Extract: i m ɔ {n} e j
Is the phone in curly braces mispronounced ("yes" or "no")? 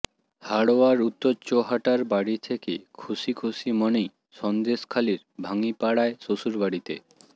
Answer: no